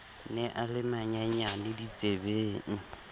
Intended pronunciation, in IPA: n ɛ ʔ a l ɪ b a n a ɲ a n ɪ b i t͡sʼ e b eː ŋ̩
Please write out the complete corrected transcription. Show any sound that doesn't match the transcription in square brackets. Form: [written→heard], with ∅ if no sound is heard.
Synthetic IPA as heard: n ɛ ʔ a l ɪ [b→m] a [n→ɲ] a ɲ a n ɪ [b→d] i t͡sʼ e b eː ŋ̩